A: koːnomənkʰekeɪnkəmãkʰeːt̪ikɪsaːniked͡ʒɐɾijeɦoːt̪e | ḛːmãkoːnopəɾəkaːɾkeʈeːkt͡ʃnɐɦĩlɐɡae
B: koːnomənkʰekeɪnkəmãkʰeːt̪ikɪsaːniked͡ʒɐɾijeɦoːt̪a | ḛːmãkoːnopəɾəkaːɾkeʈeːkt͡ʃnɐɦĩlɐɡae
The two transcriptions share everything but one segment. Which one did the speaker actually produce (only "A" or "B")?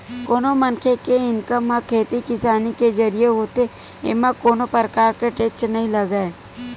A